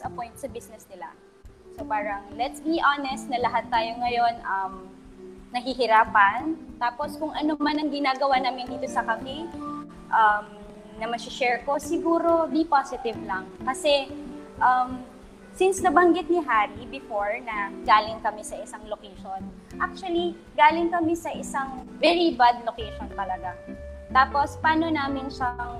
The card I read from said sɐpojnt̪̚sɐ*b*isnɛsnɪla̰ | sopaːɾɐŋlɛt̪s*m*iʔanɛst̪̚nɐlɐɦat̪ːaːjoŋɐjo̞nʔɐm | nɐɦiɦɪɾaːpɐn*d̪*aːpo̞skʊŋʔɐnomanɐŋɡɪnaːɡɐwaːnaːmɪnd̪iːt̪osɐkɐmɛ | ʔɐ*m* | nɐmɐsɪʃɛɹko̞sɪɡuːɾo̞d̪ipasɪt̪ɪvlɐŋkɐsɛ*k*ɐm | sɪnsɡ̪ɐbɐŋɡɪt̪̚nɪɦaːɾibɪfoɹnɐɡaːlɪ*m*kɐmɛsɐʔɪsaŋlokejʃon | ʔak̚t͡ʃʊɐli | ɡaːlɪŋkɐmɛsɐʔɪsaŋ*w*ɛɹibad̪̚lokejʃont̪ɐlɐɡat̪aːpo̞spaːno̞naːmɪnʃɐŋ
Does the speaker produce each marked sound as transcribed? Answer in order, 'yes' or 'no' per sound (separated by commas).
yes, no, no, yes, no, no, no